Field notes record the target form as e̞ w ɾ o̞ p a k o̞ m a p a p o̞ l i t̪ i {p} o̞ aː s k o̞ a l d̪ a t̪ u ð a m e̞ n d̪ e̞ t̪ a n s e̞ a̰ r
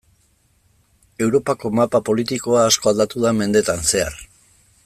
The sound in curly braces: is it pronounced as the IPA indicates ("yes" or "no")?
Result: no